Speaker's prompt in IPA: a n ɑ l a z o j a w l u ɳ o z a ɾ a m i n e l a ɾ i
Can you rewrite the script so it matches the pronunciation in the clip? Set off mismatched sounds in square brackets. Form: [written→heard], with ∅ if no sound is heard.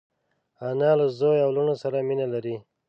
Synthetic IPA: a n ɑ l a z o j a w l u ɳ o [z→s] a ɾ a m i n [e→a] l a ɾ i